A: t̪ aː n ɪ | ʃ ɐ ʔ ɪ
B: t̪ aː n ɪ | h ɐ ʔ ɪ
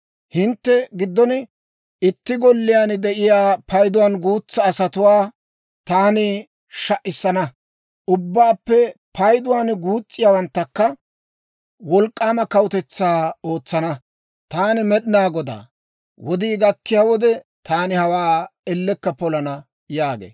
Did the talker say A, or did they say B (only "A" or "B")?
A